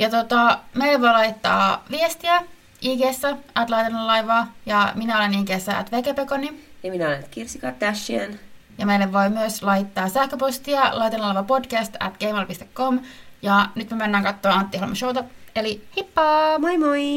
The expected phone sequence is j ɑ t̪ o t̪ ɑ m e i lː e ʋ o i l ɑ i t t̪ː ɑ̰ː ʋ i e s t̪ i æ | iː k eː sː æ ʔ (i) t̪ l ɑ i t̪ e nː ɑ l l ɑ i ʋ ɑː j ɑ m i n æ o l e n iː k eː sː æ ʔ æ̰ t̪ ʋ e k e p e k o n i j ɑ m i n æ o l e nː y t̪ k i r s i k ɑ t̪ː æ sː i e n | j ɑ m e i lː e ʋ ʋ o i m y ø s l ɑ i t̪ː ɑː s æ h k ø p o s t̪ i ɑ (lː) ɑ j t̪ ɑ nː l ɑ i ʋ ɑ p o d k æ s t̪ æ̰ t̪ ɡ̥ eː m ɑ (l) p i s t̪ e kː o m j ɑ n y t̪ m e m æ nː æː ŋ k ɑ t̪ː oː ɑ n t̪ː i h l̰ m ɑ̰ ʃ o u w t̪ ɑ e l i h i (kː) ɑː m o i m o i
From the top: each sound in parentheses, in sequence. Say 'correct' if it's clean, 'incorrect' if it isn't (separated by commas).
incorrect, incorrect, correct, incorrect